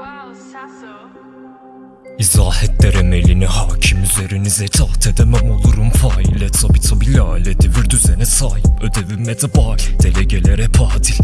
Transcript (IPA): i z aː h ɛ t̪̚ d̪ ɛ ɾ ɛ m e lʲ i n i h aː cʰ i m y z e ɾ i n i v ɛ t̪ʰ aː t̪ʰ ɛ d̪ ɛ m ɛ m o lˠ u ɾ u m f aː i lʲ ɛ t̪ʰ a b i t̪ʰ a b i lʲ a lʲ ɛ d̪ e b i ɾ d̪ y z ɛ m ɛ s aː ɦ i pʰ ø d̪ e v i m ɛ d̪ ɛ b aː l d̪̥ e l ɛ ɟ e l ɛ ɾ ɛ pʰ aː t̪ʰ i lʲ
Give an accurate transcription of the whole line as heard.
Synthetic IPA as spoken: i z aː h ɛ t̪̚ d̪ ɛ ɾ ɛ m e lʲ i n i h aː cʰ i m y z e ɾ i n i z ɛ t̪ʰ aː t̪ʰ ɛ d̪ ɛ m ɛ m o lˠ u ɾ u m f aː i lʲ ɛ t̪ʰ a b i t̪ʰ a b i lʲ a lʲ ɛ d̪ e v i ɾ d̪ y z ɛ n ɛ s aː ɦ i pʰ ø d̪ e v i m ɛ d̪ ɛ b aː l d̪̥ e l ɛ ɟ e l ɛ ɾ ɛ pʰ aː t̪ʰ i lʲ